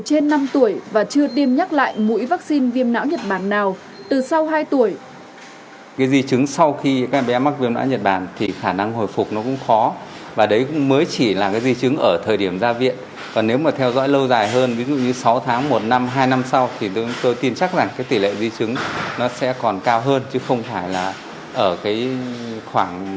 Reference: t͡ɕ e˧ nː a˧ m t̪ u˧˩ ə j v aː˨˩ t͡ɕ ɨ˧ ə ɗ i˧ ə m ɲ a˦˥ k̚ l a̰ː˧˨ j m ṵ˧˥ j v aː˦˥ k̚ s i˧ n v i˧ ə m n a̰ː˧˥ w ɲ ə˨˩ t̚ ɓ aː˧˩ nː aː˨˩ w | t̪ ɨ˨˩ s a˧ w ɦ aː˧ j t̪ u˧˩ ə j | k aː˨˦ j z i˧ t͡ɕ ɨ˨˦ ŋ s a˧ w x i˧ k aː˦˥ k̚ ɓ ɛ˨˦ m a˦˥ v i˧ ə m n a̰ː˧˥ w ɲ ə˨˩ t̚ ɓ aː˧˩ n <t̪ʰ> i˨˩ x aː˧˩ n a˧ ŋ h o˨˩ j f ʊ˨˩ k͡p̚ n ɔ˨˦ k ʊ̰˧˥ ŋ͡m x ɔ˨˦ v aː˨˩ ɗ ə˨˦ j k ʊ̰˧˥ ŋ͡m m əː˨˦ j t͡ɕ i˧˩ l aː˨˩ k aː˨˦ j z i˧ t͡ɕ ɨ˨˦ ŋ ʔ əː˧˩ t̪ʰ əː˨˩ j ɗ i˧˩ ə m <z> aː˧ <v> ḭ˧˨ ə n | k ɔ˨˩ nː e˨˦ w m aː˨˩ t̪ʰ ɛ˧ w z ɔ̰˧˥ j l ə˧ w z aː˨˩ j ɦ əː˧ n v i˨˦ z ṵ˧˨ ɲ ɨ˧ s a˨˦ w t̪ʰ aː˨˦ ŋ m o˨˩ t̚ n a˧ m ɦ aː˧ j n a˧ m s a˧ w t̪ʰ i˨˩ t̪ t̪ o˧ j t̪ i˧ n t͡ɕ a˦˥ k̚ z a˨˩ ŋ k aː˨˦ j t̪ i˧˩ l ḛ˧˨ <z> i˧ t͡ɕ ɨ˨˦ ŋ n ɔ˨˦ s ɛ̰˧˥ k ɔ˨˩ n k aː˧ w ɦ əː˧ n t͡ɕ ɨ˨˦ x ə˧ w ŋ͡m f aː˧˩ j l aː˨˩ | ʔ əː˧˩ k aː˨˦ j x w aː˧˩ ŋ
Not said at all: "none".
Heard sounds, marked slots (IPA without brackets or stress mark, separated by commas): t̪ʰ, z, v, z